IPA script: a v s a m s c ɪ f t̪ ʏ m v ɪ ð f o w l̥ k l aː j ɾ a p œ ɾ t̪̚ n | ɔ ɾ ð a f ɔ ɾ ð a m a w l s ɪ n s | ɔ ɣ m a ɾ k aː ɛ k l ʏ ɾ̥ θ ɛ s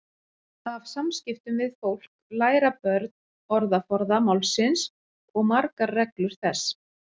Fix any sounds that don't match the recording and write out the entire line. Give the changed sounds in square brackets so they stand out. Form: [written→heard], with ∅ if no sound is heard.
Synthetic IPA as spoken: a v s a m s c ɪ f t̪ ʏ m v ɪ ð f o w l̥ k l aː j ɾ a p œ ɾ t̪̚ n | ɔ ɾ ð a f ɔ ɾ ð a m a w l s ɪ n s | ɔ ɣ m a ɾ k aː ɛ k l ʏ ɾ̥ θ ɛ s